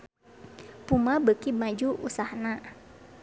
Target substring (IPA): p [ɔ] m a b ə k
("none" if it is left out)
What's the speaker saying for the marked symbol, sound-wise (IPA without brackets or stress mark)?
u